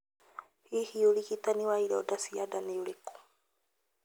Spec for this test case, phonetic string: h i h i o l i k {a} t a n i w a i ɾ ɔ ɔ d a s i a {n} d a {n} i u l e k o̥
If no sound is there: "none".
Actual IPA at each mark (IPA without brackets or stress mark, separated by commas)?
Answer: i, none, n